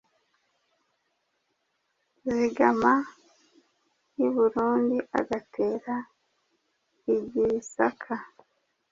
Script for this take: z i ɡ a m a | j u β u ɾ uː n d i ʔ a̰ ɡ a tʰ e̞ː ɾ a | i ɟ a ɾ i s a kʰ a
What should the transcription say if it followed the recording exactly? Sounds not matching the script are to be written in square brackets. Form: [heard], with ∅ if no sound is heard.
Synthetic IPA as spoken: z i ɡ a m a | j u β u ɾ uː n d i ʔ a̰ ɡ a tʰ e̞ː ɾ a | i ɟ [i] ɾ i s a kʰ a